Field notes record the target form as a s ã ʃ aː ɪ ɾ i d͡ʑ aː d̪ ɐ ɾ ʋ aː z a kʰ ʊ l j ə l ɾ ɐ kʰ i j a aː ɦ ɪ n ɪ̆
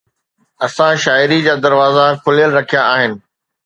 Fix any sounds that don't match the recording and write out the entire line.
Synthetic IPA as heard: ɐ s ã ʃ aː ɪ ɾ i d͡ʑ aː d̪ ɐ ɾ ʋ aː z a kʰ ʊ l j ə l ɾ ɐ kʰ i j a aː ɦ ɪ n ɪ̆